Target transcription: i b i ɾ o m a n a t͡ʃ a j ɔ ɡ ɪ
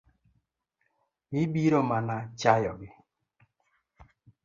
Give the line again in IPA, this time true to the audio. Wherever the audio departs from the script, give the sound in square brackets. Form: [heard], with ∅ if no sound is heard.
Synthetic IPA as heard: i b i ɾ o m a n a t͡ʃ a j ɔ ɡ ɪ